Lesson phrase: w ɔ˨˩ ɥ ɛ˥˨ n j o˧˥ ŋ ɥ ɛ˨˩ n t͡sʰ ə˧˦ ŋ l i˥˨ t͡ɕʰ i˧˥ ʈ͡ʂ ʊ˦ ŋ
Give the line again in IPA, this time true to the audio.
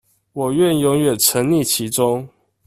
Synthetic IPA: w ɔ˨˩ ɥ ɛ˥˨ n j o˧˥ ŋ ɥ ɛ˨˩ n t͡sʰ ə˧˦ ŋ l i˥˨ t͡ɕʰ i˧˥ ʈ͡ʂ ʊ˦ ŋ